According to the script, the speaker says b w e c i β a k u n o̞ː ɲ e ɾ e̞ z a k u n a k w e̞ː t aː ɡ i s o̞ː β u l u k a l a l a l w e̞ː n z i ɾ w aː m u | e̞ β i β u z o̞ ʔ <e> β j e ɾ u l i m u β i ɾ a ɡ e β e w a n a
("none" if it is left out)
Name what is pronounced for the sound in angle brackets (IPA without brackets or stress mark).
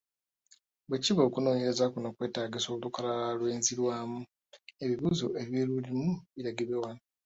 e